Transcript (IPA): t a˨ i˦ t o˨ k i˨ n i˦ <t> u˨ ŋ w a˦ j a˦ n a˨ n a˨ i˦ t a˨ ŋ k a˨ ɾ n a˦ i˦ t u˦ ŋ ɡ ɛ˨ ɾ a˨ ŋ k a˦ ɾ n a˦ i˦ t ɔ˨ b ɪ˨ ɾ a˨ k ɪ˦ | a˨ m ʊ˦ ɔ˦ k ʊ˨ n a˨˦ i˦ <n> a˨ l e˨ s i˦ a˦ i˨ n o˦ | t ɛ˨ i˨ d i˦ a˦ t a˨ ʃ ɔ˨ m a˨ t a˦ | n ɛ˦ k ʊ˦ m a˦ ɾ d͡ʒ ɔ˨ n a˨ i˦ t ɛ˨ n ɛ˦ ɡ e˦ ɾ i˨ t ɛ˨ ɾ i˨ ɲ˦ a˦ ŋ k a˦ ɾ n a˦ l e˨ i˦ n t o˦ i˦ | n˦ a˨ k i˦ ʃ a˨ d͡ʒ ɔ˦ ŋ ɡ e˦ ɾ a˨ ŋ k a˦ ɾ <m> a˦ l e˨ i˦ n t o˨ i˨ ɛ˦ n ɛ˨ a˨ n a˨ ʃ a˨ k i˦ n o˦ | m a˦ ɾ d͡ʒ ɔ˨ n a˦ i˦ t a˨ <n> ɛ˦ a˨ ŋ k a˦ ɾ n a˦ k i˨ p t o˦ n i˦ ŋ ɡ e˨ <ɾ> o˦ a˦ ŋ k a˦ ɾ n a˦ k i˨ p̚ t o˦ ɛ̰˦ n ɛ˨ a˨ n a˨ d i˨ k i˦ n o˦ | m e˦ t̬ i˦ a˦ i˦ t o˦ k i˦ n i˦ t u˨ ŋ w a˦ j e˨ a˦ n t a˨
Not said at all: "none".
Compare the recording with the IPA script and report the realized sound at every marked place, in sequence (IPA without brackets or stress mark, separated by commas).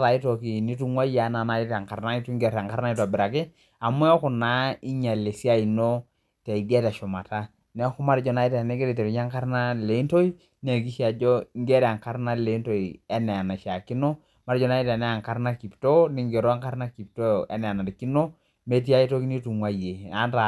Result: t, ɲ, n, n, ɾ